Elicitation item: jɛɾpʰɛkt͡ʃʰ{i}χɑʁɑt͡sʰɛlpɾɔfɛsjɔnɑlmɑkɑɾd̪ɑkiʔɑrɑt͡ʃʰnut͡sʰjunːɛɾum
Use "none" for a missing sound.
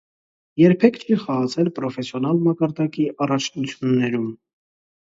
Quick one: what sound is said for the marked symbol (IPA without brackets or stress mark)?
i